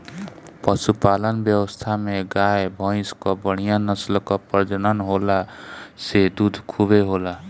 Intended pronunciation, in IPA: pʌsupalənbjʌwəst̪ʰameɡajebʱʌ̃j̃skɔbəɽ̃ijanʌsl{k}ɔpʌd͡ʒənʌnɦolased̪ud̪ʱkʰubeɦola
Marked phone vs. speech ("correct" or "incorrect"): correct